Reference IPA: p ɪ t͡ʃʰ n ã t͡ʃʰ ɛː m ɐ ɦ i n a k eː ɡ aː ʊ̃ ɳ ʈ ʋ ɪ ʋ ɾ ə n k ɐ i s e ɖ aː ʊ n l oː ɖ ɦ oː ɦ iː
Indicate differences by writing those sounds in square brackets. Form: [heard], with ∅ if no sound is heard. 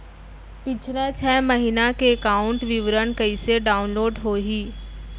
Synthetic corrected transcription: p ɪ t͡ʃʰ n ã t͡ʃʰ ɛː m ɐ ɦ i n a k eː [k] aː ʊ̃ ɳ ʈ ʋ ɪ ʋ ɾ ə n k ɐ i s e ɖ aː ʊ n l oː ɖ ɦ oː ɦ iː